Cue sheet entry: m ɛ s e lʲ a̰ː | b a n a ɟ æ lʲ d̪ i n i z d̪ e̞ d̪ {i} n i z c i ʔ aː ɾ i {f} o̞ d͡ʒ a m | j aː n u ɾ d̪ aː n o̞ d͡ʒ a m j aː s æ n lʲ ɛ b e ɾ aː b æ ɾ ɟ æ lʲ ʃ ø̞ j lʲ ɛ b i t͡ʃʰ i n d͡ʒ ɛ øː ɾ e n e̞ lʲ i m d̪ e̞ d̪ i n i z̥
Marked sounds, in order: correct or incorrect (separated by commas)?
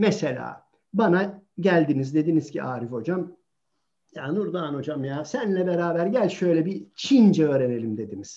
correct, correct